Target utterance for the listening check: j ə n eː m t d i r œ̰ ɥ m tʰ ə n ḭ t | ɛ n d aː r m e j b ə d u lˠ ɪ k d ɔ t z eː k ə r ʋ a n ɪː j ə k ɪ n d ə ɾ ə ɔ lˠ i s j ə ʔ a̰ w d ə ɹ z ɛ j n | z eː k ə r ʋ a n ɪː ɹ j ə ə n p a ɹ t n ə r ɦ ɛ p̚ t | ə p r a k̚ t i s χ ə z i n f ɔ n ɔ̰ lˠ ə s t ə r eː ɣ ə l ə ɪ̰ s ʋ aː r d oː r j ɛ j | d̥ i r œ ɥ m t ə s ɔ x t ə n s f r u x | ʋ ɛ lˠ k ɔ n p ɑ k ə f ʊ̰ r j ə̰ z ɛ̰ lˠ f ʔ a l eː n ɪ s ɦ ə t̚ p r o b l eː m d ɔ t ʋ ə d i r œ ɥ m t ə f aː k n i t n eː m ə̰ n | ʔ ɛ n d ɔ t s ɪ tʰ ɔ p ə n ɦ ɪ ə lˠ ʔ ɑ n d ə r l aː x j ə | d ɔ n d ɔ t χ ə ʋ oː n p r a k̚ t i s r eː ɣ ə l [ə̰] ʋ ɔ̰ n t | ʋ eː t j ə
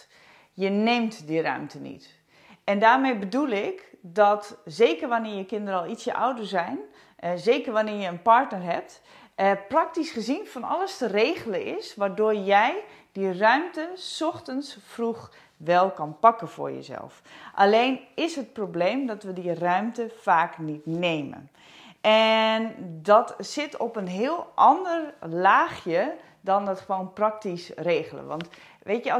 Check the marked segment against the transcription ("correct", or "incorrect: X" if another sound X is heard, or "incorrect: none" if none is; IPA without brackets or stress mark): correct